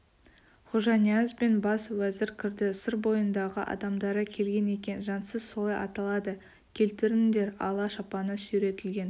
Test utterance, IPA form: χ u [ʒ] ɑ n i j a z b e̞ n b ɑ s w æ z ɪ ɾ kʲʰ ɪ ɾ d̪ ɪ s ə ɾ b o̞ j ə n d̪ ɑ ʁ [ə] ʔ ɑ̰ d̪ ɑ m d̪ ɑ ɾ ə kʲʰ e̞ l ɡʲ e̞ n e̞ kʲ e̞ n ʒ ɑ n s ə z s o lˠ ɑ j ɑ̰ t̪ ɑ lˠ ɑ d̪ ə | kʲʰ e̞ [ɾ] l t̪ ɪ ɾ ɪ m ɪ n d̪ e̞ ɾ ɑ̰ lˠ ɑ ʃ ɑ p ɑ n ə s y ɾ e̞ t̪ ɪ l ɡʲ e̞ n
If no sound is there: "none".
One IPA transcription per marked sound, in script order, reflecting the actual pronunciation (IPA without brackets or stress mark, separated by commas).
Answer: ʒ, ə, none